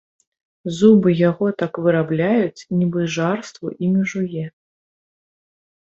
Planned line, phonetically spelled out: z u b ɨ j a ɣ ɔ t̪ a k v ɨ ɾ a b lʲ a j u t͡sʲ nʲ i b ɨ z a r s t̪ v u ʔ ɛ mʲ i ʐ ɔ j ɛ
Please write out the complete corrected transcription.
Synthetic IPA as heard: z u b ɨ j a ɣ ɔ t̪ a k v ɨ ɾ a b lʲ a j u t͡sʲ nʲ i b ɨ ʐ a r s t̪ v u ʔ i mʲ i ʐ u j ɛ